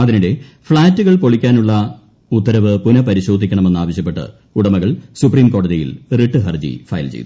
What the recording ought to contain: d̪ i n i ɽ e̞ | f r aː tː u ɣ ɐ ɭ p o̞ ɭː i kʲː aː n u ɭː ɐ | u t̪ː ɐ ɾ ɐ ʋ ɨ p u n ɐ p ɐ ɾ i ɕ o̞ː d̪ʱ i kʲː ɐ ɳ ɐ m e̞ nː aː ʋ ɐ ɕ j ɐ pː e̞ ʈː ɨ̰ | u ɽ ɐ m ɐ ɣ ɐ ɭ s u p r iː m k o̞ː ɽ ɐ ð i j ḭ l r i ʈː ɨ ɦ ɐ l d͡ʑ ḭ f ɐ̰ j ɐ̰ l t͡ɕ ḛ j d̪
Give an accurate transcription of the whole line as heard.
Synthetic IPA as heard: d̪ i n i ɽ e̞ | f ɭ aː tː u ɣ ɐ ɭ p o̞ ɭ i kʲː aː n u ɭː ɐ | u t̪ː ɐ ɾ ɐ ʋ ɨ p u n ɐ p ɐ ɾ i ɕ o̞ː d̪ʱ i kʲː ɐ ɳ ɐ m e̞ nː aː ʋ ɐ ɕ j ɐ pː e̞ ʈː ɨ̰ | u ɽ ɐ m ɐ ɣ ɐ ɭ s u p r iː m k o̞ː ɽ ɐ ð i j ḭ l r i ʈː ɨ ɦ ɐ r d͡ʑ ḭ f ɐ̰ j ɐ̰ l t͡ɕ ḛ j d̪